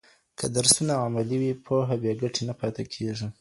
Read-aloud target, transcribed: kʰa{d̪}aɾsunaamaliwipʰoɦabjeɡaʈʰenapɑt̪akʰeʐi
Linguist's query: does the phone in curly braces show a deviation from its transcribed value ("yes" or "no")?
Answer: no